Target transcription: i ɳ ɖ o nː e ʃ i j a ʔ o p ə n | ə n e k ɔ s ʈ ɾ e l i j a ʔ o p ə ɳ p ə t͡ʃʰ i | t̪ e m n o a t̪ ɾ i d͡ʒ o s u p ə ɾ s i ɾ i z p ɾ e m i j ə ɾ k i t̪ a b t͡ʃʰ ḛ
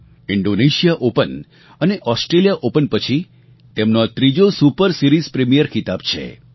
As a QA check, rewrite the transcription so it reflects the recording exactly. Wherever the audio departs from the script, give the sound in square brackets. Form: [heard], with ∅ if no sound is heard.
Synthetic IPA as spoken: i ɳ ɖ o [n] e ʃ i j a ʔ o p ə n | ə n e [ʔ] ɔ s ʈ ɾ e l i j a ʔ o p ə [n] p ə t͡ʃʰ i | t̪ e m n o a t̪ ɾ i d͡ʒ o s u p ə ɾ s i ɾ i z p ɾ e m i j ə ɾ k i t̪ a b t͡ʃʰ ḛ